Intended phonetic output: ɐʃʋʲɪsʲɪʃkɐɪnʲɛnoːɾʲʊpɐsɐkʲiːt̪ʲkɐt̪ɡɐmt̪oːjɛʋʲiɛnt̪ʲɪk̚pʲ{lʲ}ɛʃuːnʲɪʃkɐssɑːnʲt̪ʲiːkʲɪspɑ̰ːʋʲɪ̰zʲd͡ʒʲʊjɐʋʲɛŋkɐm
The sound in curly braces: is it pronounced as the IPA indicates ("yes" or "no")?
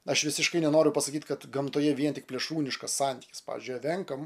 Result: yes